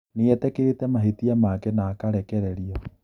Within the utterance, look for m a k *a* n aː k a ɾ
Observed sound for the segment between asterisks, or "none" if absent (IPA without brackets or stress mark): ɛ